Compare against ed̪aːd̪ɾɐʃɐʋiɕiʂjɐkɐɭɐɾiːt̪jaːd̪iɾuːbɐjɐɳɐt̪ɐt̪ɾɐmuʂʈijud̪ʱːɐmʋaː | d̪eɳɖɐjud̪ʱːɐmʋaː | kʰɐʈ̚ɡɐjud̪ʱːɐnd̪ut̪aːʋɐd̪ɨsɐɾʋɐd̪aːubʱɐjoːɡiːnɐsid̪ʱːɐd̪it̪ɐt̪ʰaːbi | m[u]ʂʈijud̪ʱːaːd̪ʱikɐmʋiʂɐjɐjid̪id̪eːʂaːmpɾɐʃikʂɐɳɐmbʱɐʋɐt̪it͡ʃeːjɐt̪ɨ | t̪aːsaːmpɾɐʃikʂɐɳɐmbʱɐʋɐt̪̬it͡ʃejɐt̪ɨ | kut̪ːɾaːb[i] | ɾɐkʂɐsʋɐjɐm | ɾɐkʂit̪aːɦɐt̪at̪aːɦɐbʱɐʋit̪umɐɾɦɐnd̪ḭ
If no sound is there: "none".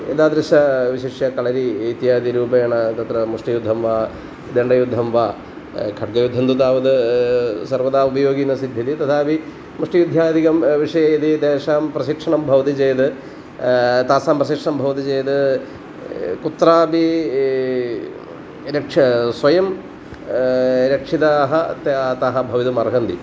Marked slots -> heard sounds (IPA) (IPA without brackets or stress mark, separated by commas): u, i